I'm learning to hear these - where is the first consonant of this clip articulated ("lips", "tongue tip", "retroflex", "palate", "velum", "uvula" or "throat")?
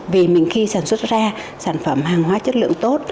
lips